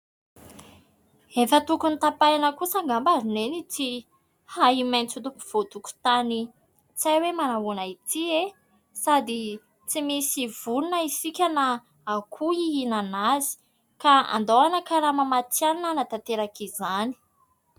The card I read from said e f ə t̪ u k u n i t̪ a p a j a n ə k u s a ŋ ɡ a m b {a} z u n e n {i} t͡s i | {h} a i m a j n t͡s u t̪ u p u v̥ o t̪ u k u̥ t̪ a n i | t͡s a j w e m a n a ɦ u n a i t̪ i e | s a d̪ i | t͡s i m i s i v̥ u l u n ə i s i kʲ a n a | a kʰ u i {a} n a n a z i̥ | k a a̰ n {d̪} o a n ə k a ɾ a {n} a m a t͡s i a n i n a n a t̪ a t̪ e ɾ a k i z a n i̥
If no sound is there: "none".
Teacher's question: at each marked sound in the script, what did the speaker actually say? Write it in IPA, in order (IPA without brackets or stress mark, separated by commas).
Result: a, i, h, i, d̪, m